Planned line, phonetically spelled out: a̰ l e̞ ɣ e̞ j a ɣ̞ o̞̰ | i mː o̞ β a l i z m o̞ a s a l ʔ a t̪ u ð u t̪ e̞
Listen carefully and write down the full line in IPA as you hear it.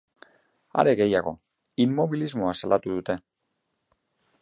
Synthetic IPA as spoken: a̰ ɾ e̞ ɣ e̞ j a ɣ̞ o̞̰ | i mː o̞ β i l i z m o̞ a s a l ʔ a t̪ u ð u t̪ e̞